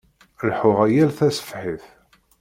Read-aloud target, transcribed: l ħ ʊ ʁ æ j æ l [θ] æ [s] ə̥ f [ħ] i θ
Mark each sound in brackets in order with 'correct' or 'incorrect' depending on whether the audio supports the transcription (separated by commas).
correct, correct, correct